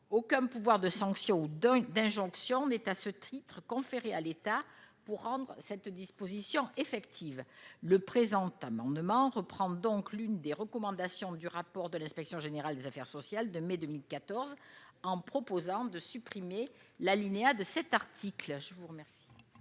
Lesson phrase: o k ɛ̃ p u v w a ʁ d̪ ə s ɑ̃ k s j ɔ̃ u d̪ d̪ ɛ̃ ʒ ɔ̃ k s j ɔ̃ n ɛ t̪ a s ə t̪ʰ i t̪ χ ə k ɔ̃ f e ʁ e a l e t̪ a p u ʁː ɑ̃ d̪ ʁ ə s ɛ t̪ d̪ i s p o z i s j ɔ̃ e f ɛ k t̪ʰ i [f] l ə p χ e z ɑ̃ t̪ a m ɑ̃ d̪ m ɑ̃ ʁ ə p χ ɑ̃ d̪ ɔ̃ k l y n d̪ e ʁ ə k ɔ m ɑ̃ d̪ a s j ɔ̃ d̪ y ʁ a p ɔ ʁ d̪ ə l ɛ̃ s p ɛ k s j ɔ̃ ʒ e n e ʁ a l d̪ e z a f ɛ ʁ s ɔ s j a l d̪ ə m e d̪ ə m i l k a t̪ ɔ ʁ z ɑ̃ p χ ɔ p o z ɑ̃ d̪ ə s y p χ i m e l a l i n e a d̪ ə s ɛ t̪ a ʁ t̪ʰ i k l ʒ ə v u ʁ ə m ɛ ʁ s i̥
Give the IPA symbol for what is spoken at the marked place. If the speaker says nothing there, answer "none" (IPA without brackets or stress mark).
v